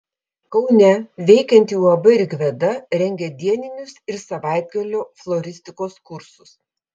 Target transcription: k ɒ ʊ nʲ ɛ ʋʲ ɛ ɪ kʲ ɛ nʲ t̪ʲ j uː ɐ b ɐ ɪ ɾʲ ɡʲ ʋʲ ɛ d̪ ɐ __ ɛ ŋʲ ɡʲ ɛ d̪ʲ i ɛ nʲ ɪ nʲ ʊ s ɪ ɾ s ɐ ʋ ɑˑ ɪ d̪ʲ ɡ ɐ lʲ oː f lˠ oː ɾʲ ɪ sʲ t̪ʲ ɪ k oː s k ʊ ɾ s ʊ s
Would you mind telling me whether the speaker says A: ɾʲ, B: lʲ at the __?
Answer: A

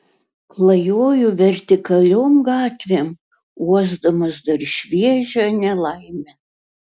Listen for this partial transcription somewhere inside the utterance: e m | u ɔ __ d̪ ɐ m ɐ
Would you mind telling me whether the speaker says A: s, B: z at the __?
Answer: B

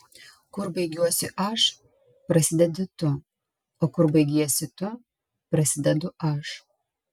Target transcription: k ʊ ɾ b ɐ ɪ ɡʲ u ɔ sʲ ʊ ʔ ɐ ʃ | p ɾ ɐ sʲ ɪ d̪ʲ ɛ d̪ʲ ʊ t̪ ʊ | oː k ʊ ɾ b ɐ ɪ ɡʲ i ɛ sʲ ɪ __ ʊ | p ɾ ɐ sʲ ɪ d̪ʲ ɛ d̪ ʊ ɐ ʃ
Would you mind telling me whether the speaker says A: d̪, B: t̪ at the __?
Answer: B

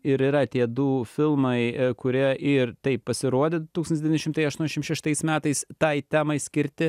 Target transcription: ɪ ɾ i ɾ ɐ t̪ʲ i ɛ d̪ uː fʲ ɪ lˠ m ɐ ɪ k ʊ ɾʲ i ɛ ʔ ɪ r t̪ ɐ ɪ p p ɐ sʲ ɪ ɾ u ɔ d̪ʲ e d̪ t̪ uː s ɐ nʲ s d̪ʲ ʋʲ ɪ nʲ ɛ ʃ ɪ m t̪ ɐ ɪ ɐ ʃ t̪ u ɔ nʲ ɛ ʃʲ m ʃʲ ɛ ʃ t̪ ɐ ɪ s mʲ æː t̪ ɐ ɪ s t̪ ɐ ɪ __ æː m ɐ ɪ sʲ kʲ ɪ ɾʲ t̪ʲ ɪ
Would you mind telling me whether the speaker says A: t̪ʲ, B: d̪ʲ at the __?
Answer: A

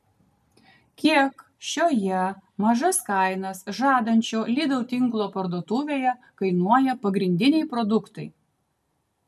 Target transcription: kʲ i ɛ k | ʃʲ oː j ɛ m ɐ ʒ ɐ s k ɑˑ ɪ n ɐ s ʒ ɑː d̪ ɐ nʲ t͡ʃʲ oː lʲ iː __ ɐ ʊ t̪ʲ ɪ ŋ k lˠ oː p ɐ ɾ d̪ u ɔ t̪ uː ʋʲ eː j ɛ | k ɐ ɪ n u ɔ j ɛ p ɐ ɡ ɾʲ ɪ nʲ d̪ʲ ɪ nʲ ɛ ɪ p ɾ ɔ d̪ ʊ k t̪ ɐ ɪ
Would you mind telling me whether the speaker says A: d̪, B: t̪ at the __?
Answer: A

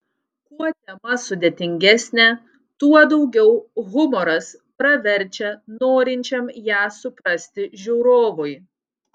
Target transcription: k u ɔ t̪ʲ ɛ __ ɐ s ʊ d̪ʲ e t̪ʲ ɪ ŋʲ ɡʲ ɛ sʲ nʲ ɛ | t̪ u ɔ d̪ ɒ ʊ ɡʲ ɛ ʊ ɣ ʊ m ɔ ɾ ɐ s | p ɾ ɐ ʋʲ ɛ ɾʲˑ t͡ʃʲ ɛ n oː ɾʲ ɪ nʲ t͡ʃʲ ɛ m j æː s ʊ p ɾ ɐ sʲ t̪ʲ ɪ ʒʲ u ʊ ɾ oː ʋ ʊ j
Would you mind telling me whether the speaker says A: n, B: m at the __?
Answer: B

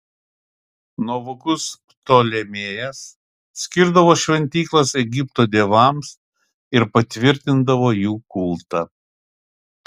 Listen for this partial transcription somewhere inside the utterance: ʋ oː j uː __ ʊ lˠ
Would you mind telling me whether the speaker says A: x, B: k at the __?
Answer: B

